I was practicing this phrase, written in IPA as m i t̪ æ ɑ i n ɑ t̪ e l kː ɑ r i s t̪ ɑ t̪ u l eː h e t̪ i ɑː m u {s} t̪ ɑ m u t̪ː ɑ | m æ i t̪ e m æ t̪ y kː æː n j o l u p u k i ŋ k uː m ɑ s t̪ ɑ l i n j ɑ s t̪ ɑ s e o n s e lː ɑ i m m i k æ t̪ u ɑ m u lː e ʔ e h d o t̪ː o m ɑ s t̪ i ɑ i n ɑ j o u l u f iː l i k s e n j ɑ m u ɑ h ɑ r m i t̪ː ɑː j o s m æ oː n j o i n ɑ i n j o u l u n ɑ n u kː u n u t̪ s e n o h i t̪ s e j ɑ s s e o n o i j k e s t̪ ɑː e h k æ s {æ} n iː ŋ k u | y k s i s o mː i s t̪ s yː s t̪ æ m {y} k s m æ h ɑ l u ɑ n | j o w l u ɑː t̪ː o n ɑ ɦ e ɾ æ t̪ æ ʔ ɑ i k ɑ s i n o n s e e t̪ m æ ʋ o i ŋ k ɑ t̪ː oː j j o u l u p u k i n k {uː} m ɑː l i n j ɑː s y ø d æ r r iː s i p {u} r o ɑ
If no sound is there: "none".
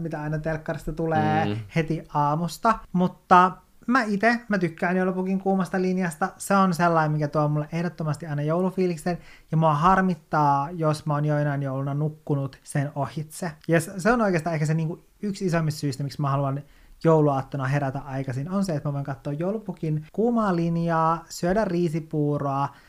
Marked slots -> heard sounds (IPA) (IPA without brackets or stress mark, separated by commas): s, e, i, uː, uː